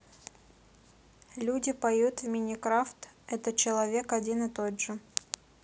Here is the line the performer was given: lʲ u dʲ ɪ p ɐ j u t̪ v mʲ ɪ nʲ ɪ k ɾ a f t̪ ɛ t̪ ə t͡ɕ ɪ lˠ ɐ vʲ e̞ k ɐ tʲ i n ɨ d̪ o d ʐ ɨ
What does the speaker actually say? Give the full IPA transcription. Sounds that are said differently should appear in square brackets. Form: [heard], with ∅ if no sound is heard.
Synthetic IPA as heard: lʲ u dʲ ɪ p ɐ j u t̪ v mʲ ɪ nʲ ɪ k ɾ a f t̪ ɛ t̪ ə t͡ɕ ɪ lˠ ɐ vʲ e̞ k ɐ [dʲ] i n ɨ [t̪] o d ʐ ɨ